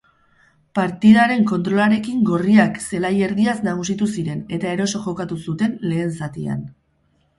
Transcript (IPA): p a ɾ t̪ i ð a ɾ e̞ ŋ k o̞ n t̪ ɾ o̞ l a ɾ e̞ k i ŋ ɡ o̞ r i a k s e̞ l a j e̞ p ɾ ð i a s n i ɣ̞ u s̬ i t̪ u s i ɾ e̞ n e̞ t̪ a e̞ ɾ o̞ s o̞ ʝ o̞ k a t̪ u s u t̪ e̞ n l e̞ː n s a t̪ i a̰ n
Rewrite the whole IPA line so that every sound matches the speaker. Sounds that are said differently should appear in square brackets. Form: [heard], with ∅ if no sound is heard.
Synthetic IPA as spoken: p a ɾ t̪ i ð a ɾ e̞ ŋ k o̞ n t̪ ɾ o̞ l a ɾ e̞ k i ŋ ɡ o̞ r i a k s e̞ l a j e̞ [∅] ɾ ð i a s n [a] ɣ̞ u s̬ i t̪ u s i ɾ e̞ n e̞ t̪ a e̞ ɾ o̞ s o̞ ʝ o̞ k a t̪ u s u t̪ e̞ n l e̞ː n s a t̪ i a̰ n

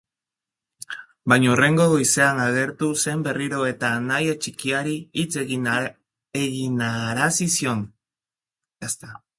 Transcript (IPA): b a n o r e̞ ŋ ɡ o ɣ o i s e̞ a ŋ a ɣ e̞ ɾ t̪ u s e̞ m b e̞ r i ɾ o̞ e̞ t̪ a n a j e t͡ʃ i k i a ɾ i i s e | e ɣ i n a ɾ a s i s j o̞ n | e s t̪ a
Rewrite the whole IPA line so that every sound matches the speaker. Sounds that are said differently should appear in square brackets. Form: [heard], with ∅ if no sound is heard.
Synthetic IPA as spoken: b a [ɲ] o r e̞ ŋ ɡ o ɣ o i s e̞ a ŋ a ɣ e̞ ɾ t̪ u s e̞ m b e̞ r i ɾ o̞ e̞ t̪ a n a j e t͡ʃ i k i a ɾ i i [t͡s] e | e ɣ i n a ɾ a s i s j o̞ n | e s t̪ a

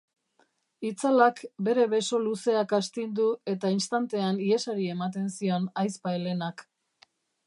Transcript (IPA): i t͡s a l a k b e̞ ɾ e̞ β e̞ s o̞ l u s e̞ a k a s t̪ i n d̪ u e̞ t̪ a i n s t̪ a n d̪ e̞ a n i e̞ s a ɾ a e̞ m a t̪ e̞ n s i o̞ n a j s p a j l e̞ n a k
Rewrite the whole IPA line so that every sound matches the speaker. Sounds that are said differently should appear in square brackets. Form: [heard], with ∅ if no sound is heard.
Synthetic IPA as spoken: i t͡s a l a k b e̞ ɾ e̞ β e̞ s o̞ l u s e̞ a k a s t̪ i n d̪ u e̞ t̪ a i n s t̪ a n [t̪] e̞ a n i e̞ s a ɾ [i] e̞ m a t̪ e̞ n s i o̞ n a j s p a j l e̞ n a k

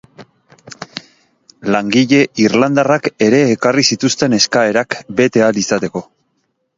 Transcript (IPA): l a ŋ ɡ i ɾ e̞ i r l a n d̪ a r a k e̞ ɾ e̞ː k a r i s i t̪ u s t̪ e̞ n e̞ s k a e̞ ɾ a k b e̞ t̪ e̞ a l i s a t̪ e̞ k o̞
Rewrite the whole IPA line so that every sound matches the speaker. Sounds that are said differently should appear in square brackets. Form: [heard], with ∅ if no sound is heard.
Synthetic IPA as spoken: l a ŋ ɡ i [ʎ] e̞ i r l a n d̪ a r a k e̞ ɾ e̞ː k a r i s i t̪ u s t̪ e̞ n e̞ s k a e̞ ɾ a k b e̞ t̪ e̞ a l i s a t̪ e̞ k o̞

